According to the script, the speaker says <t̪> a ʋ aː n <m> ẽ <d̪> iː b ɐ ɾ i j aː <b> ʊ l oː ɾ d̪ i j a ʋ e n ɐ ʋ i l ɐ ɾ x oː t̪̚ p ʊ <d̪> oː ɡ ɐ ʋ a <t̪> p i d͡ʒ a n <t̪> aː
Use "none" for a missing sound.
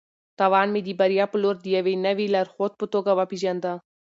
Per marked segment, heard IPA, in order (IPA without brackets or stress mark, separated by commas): t̪, m, d̪, p, t̪, none, d̪